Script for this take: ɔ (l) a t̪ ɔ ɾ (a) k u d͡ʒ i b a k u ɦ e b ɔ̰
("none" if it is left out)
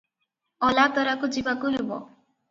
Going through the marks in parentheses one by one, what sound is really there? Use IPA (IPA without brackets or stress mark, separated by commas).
l, a